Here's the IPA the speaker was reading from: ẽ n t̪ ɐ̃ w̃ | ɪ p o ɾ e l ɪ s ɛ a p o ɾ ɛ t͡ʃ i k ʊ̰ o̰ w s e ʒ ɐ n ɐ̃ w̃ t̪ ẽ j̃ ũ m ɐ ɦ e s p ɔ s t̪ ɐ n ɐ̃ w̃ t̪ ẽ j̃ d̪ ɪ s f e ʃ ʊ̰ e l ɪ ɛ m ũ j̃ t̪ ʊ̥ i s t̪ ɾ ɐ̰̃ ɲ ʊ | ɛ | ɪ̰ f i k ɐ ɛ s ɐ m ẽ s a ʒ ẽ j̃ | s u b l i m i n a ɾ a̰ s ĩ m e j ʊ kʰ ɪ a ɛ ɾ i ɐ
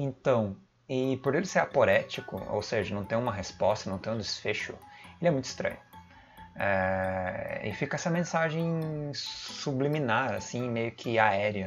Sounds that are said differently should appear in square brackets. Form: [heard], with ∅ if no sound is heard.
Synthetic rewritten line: ẽ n t̪ ɐ̃ w̃ | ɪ p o ɾ e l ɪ s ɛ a p o ɾ ɛ t͡ʃ i k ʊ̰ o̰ w s e ʒ ɐ n ɐ̃ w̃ t̪ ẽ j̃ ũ m ɐ ɦ e s p ɔ s t̪ ɐ n ɐ̃ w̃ t̪ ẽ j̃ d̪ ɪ s f e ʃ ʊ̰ e l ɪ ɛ m ũ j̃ t̪ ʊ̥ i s t̪ ɾ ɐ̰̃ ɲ ʊ | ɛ | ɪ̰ f i k ɐ ɛ s ɐ m ẽ s a ʒ ẽ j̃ | s u b l i m i n a ɾ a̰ s ĩ m e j ʊ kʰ ɪ a ɛ ɾ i ɐ

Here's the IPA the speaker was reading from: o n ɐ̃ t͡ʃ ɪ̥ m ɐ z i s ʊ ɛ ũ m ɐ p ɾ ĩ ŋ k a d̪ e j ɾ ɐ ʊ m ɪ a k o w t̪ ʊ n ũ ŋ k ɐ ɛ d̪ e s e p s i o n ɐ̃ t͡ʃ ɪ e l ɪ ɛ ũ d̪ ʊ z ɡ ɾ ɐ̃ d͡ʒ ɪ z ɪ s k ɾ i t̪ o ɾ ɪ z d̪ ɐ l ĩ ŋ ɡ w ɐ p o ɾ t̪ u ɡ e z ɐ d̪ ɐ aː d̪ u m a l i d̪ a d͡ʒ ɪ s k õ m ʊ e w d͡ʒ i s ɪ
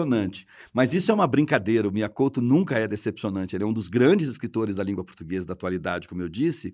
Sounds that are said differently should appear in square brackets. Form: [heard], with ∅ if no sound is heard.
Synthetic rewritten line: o n ɐ̃ t͡ʃ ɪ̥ m ɐ z i s ʊ ɛ ũ m ɐ [b] ɾ ĩ ŋ k a d̪ e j ɾ ɐ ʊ m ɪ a k o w t̪ ʊ n ũ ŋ k ɐ ɛ d̪ e s e p s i o n ɐ̃ t͡ʃ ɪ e l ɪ ɛ ũ d̪ ʊ z ɡ ɾ ɐ̃ d͡ʒ ɪ z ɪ s k ɾ i t̪ o ɾ ɪ z d̪ ɐ l ĩ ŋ ɡ w ɐ p o ɾ t̪ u ɡ e z ɐ d̪ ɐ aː [t̪] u [∅] a l i d̪ a d͡ʒ ɪ [∅] k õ m ʊ e w d͡ʒ i s ɪ

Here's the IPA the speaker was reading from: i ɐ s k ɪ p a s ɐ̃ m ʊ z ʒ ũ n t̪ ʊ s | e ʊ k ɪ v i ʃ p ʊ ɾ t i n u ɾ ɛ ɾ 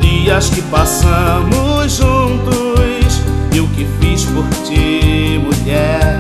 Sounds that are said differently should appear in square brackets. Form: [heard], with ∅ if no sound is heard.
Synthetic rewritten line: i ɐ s k ɪ p a s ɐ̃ m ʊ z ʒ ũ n t̪ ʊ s | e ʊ k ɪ [f] i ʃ p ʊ ɾ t i [m] u [ʎ] ɛ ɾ

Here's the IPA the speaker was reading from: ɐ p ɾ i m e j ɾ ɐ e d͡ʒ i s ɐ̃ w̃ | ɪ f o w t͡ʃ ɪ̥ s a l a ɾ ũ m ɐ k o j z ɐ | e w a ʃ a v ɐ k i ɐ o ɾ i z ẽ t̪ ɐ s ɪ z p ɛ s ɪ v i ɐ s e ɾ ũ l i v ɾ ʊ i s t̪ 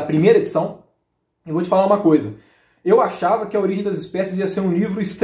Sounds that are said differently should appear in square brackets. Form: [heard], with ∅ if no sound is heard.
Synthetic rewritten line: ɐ p ɾ i m e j ɾ ɐ e d͡ʒ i s ɐ̃ w̃ | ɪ [v] o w t͡ʃ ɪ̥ [f] a l a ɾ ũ m ɐ k o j z ɐ | e w a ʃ a v ɐ k [ɪ] ɐ o ɾ i [ʒ] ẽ [d̪] ɐ [z] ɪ [s] p ɛ s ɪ [z] i ɐ s e ɾ ũ l i v ɾ ʊ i s t̪

